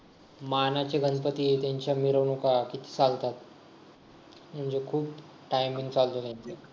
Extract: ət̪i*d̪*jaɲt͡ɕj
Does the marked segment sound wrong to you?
yes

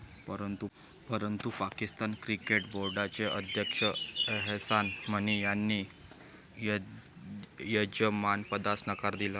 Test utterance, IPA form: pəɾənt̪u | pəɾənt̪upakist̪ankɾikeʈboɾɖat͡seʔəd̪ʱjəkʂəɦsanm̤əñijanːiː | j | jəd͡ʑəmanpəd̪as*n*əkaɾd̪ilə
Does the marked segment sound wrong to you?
no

